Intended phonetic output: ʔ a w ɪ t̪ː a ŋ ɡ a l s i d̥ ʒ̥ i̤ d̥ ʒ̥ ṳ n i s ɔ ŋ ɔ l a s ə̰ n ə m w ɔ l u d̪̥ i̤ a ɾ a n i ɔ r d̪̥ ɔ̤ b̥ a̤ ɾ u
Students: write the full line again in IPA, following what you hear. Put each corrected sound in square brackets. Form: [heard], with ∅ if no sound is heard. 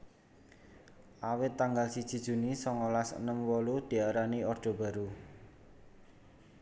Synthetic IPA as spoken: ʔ a w ɪ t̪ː a ŋ ɡ a l s i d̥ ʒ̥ i̤ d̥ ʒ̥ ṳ n i s ɔ ŋ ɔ l a s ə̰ n ə m w ɔ l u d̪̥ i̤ a ɾ a n i ɔ r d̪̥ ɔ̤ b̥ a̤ ɾ u